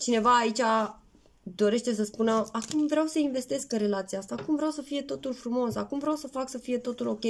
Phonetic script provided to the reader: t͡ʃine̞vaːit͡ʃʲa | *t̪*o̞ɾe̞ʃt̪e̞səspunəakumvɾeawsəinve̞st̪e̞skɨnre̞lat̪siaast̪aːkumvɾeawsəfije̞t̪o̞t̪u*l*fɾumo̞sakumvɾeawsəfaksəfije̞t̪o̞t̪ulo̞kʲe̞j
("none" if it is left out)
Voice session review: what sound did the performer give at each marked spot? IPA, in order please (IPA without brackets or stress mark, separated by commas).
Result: d̪, l